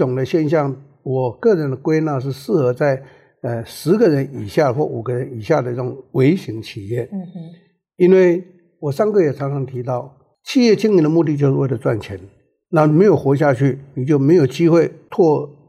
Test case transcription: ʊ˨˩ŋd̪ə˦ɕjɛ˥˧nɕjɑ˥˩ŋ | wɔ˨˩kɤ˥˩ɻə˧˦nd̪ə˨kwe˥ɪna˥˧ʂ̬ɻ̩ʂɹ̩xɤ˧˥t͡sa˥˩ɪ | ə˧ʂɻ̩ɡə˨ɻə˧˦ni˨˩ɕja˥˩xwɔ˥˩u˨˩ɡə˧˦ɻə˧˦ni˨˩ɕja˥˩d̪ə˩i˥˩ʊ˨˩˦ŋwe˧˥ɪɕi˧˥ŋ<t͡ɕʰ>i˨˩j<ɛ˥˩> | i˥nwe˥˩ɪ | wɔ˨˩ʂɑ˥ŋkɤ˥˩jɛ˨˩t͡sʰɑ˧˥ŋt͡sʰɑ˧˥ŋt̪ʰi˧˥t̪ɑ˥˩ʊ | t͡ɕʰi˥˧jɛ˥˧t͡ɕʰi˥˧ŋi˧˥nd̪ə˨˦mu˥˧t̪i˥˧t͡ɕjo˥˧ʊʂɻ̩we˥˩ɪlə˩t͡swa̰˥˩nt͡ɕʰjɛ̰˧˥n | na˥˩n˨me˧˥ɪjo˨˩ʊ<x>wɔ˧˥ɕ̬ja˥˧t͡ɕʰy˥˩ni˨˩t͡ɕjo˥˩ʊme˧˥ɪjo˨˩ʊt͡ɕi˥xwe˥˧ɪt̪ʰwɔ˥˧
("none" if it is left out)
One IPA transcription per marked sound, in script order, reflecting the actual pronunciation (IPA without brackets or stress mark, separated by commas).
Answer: t͡ɕʰ, ɛ˥˩, x